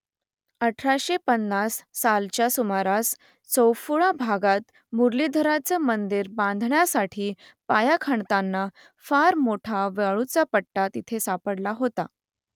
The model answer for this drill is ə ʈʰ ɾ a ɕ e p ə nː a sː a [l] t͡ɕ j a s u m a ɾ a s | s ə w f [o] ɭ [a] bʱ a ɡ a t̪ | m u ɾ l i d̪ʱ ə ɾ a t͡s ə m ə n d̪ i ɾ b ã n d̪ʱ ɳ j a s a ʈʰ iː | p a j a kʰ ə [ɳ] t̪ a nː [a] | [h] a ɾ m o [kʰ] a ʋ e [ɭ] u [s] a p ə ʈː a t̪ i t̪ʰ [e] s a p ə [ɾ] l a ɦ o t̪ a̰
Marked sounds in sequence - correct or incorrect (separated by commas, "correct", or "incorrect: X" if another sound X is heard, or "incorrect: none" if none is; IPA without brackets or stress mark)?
correct, incorrect: u, correct, correct, correct, incorrect: f, incorrect: ʈʰ, correct, incorrect: t͡s, correct, incorrect: ɽ